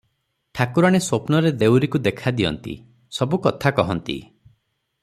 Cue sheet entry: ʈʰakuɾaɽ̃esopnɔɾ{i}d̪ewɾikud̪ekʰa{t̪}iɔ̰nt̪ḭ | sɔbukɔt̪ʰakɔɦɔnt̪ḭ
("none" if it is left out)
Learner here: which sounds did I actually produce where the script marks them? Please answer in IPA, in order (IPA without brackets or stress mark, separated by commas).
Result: e, d̪